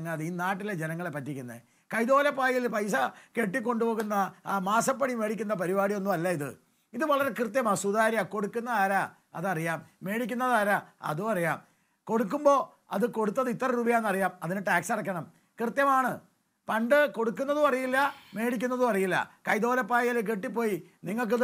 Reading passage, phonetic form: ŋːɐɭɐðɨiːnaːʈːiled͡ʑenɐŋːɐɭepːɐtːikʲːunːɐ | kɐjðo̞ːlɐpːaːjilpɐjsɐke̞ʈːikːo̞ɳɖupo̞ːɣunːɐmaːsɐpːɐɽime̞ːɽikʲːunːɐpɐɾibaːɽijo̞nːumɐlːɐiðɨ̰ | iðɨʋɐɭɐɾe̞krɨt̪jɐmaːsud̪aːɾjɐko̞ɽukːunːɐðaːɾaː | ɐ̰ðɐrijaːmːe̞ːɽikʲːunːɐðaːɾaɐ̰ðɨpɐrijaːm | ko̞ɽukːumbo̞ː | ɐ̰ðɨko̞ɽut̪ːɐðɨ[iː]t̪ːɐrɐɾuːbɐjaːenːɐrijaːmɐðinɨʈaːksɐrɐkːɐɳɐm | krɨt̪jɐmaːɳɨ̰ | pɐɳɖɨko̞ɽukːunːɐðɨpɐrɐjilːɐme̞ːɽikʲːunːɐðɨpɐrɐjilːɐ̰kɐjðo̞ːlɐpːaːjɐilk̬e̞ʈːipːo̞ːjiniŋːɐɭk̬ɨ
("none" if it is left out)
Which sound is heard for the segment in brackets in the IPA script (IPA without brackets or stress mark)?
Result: i